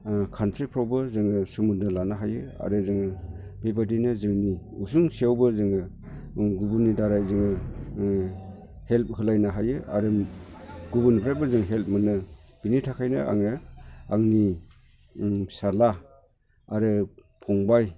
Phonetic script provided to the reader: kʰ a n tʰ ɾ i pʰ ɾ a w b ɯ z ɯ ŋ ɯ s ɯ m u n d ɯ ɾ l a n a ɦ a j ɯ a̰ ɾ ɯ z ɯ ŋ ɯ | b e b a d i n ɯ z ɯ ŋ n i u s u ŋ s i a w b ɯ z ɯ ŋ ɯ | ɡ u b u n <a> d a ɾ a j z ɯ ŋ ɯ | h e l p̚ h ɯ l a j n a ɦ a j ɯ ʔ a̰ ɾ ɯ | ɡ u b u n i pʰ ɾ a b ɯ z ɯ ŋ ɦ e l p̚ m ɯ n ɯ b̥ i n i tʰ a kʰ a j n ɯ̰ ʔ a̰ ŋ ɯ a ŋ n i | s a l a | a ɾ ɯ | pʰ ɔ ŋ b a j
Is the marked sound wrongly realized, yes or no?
yes